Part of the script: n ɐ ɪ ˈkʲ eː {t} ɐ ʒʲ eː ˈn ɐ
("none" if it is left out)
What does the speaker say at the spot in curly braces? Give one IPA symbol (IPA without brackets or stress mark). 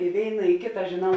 t